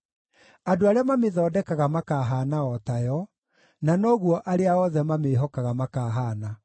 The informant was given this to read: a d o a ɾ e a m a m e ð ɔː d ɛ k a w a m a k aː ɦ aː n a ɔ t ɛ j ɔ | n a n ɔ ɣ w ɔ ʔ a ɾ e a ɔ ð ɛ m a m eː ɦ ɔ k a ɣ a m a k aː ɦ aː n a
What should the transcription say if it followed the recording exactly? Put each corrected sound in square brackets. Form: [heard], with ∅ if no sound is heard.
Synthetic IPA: a d o a ɾ e a m a m e ð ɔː d ɛ k a [ɣ] a m a k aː ɦ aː n a ɔ t [a] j ɔ | n a n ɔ ɣ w ɔ ʔ a ɾ e a ɔ ð ɛ m a m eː ɦ ɔ k a ɣ a m a k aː ɦ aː n a